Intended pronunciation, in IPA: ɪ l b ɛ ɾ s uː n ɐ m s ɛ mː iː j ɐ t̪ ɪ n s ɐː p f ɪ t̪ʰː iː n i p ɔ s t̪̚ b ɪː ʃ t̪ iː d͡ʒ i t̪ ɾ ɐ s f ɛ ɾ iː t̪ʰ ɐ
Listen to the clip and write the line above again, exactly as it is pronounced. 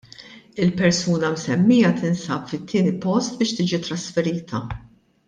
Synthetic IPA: ɪ l p ɛ ɾ s uː n ɐ m s ɛ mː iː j ɐ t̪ ɪ n s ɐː p f ɪ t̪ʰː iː n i p ɔ s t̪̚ b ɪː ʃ t̪ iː d͡ʒ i t̪ ɾ ɐ s f ɛ ɾ iː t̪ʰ ɐ